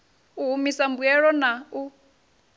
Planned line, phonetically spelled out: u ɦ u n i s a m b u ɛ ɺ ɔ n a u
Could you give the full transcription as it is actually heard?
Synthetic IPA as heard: u ɦ u m i s a m b u ɛ ɺ ɔ n a u